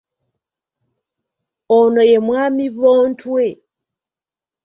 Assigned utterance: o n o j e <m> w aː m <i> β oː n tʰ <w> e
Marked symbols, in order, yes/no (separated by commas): yes, yes, yes